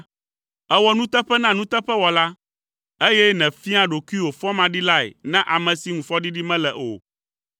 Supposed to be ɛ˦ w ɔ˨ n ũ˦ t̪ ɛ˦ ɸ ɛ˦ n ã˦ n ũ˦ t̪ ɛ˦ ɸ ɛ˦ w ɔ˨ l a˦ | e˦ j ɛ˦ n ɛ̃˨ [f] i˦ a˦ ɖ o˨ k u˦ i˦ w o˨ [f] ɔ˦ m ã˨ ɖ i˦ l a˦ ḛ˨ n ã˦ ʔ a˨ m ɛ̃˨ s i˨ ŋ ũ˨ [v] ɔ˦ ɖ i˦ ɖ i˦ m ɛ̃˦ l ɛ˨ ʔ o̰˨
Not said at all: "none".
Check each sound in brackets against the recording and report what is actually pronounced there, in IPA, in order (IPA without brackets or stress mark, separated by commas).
f, f, f